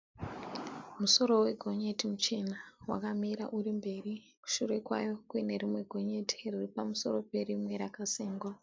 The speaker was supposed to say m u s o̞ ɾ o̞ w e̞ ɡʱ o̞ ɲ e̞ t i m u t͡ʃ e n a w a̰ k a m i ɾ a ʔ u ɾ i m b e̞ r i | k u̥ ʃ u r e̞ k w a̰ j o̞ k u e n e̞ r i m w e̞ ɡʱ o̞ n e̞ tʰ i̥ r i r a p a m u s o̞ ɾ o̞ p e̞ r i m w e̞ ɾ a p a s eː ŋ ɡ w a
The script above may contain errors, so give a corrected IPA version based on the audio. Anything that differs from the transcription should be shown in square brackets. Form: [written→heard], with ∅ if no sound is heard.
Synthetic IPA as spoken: m u s o̞ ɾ o̞ w e̞ ɡʱ o̞ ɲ e̞ t i m u t͡ʃ e n a w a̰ k a m i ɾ a ʔ u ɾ i m b e̞ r i | k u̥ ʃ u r e̞ k w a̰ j o̞ k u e n e̞ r i m w e̞ ɡʱ o̞ [n→ɲ] e̞ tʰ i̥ r i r [a→i] p a m u s o̞ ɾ o̞ p e̞ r i m w e̞ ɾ a [p→k] a s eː ŋ ɡ w a